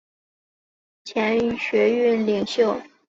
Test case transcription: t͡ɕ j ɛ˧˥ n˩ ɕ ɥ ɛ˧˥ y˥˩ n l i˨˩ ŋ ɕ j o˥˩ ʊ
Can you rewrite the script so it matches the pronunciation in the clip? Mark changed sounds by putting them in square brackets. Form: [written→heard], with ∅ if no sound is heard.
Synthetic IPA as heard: [t͡ɕ→t͡ɕʰ] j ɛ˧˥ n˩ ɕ ɥ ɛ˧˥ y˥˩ n l i˨˩ ŋ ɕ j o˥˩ ʊ